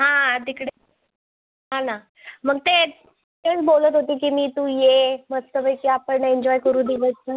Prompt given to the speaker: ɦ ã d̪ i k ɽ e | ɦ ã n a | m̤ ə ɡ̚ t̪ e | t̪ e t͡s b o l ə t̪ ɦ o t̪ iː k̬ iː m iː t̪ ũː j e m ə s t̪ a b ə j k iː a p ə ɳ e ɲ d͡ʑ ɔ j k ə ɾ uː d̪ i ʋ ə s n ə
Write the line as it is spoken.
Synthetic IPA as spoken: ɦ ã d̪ i k ɽ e | ɦ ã n a | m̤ ə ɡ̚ t̪ e | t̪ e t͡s b o l ə t̪ ɦ o t̪ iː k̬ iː m iː t̪ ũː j e m ə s t̪ ə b ə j k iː a p ə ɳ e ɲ d͡ʑ ɔ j k ə ɾ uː d̪ i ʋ ə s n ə